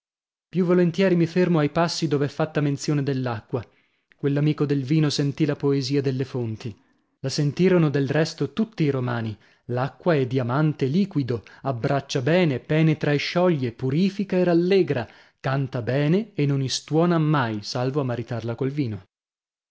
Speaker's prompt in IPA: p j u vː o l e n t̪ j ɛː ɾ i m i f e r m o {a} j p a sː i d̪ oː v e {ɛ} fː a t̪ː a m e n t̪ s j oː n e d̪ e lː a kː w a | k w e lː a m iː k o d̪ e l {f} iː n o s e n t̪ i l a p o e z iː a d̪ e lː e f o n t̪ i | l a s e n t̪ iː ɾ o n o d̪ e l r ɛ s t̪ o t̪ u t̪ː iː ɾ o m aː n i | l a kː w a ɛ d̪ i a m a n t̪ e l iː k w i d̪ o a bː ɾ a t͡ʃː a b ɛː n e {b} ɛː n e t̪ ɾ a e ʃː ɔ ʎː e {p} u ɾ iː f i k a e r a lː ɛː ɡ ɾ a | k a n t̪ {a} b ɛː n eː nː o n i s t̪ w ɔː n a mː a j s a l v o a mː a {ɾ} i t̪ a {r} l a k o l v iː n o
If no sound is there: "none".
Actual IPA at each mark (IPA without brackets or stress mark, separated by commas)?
a, ɛ, v, p, p, a, ɾ, r